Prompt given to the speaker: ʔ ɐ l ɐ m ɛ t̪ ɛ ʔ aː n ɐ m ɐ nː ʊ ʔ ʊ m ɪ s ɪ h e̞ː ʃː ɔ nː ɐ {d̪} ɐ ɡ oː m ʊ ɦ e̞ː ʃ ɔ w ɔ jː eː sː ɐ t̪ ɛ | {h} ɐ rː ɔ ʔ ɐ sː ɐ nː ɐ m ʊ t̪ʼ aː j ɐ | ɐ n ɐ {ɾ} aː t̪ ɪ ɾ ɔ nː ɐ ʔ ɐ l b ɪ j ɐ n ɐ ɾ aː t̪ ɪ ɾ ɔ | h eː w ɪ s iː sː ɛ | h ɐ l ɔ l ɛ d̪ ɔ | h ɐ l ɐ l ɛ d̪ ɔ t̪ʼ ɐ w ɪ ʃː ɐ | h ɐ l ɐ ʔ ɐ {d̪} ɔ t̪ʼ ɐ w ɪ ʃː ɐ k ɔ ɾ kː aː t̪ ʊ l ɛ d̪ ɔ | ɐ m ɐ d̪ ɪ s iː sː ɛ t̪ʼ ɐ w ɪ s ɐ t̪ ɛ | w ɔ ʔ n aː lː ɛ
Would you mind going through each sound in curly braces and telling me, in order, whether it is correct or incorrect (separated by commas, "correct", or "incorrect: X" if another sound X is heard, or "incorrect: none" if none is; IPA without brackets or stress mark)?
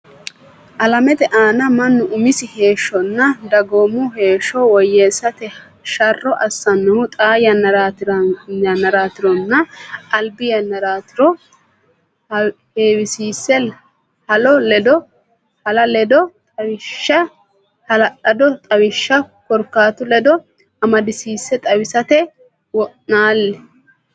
correct, incorrect: ʃ, correct, correct